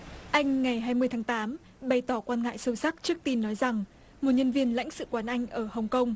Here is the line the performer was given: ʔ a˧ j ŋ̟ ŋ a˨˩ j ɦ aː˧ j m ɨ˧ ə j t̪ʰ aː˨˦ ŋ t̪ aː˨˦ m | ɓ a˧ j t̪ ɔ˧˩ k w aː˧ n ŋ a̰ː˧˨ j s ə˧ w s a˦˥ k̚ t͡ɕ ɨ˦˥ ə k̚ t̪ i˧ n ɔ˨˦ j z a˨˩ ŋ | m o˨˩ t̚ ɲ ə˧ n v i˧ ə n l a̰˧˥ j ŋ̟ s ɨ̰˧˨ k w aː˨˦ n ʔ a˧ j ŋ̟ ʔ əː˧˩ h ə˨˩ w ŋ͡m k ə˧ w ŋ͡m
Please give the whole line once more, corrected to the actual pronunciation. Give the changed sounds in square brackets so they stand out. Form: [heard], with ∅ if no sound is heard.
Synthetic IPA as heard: ʔ a˧ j ŋ̟ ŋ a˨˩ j ɦ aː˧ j m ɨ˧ ə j t̪ʰ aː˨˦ ŋ t̪ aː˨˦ m | ɓ [a˨˩] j t̪ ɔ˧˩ k w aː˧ n ŋ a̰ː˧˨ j s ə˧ w s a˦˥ k̚ t͡ɕ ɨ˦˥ ə k̚ t̪ i˧ [nː] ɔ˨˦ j z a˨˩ ŋ | m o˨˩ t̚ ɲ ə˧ n v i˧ ə n l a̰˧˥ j ŋ̟ s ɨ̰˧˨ k w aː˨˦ n ʔ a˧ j ŋ̟ ʔ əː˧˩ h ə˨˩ w ŋ͡m k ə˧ w ŋ͡m